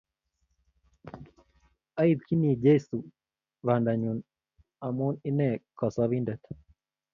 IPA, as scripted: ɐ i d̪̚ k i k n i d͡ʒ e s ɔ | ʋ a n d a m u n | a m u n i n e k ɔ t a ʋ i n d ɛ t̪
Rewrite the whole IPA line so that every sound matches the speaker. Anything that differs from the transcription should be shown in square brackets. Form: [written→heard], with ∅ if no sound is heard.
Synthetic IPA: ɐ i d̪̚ k i [k→∅] n i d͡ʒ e s [ɔ→u] | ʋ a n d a [m→ɲ] u n | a m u n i n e k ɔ [t→s] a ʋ i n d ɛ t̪